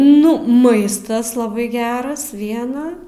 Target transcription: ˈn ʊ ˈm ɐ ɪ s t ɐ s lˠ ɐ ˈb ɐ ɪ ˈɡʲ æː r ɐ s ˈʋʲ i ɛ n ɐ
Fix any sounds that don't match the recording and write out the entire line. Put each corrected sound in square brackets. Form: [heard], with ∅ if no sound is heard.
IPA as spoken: ˈn ʊ ˈm ɐ ɪ s t ɐ s lˠ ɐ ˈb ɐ ɪ ˈɡʲ æː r ɐ s ˈʋʲ i ɛ n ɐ